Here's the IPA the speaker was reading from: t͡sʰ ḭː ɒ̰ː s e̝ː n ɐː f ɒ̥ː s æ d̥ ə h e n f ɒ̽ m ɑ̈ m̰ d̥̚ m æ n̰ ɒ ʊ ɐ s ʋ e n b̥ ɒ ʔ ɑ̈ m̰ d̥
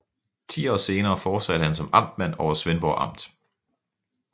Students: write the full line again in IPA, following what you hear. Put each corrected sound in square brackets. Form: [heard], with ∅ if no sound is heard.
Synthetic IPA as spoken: t͡sʰ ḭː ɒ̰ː s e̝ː n ɐː f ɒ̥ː s æ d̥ ə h [æ] n [s] ɒ̽ m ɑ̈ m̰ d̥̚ m æ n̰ ɒ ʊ ɐ s ʋ e n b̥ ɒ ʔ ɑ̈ m̰ d̥